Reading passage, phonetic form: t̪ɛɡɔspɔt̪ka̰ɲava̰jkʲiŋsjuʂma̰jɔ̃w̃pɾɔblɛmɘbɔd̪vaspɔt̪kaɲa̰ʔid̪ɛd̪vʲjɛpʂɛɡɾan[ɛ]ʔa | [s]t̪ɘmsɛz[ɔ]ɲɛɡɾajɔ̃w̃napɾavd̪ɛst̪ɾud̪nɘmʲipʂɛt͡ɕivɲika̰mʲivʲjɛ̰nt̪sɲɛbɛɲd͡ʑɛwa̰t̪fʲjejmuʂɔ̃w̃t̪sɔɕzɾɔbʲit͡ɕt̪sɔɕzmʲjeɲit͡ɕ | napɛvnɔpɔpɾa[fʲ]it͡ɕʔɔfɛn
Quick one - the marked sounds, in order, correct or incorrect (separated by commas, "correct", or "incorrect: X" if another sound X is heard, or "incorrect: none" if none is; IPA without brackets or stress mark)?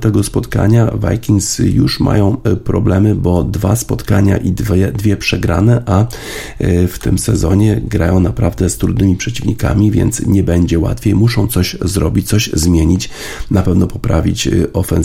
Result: correct, incorrect: f, correct, incorrect: vʲ